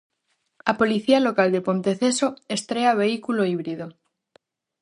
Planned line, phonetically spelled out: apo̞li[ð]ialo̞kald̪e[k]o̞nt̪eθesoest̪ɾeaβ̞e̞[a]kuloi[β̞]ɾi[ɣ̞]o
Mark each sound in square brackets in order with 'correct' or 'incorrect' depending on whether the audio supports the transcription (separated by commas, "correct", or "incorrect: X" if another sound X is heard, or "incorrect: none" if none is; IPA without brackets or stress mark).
incorrect: θ, incorrect: p, incorrect: i, correct, incorrect: ð̞